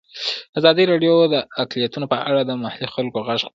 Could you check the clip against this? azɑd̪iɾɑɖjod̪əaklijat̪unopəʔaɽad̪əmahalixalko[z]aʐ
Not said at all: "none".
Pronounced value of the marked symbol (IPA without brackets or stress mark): ɣ